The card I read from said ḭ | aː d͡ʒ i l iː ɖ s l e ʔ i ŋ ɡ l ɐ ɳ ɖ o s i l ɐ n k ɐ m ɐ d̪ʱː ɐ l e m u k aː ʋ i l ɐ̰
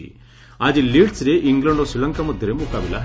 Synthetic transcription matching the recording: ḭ | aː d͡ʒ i l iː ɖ s ɾ e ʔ i ŋ ɡ l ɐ ɳ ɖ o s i l ɐ ŋ k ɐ m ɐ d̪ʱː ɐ ɾ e m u k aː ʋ i l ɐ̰